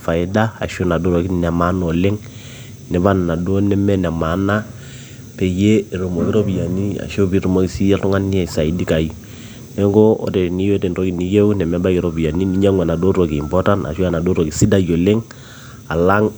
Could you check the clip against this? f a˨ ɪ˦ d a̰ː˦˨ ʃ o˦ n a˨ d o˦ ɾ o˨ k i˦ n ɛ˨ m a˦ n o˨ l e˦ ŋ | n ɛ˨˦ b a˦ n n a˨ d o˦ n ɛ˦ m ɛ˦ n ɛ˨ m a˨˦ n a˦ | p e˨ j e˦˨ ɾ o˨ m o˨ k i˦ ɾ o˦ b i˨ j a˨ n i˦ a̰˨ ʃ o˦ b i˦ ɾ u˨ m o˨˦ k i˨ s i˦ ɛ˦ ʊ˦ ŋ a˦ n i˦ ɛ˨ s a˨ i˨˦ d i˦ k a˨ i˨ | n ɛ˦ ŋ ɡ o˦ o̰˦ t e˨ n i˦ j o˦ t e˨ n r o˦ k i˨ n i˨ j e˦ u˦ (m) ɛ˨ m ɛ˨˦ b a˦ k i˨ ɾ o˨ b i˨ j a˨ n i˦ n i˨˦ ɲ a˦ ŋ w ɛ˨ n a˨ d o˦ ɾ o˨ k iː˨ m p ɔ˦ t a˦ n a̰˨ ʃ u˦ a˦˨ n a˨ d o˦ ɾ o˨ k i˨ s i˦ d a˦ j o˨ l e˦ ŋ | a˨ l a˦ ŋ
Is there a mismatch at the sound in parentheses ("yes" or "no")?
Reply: yes